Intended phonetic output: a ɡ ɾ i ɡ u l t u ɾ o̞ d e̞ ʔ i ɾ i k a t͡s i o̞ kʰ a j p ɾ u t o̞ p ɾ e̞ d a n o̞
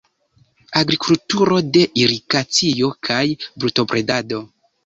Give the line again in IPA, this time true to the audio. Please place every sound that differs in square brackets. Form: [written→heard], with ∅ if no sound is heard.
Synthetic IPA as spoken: a ɡ ɾ i [ɡ→k] u l t u ɾ o̞ d e̞ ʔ i ɾ i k a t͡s i o̞ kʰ a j [p→b] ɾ u t o̞ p ɾ e̞ d a [n→d] o̞